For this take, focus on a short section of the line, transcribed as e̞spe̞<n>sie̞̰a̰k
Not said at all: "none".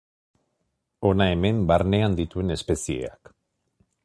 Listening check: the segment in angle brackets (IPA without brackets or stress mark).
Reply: none